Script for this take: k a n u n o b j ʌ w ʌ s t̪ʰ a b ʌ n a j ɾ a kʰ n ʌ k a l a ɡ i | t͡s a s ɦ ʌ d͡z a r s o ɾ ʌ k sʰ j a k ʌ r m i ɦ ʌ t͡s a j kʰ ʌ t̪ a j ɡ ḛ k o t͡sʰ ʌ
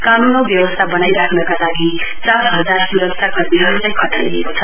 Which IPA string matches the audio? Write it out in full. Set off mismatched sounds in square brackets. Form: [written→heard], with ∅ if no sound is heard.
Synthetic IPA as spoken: k a n u n o b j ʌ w ʌ s t̪ʰ a b ʌ n a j ɾ a kʰ n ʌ k a l a ɡ i | t͡s a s ɦ ʌ d͡z a r s [o→u] ɾ ʌ k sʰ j a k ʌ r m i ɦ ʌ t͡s a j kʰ ʌ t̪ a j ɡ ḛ k o t͡sʰ ʌ